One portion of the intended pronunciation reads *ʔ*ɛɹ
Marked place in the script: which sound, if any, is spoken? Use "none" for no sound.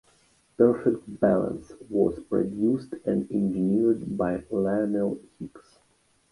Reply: p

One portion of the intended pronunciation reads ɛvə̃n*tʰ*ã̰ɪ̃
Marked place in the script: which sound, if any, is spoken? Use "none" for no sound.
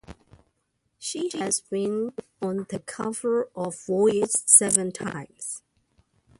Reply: tʰ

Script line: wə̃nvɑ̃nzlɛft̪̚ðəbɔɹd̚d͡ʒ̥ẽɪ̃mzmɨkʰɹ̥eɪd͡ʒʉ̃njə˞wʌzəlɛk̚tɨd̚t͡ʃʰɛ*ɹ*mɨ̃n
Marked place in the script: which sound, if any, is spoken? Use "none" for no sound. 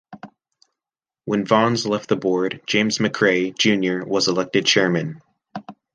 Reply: ɹ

